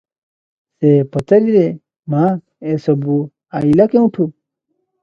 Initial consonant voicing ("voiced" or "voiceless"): voiceless